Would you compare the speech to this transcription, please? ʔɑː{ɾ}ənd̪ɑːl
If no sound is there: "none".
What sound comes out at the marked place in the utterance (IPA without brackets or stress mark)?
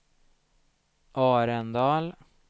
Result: ɾ